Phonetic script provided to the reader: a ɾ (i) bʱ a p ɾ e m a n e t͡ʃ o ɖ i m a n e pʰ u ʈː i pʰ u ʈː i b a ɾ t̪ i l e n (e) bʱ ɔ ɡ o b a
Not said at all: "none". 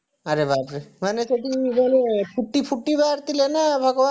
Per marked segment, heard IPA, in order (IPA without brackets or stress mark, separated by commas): e, a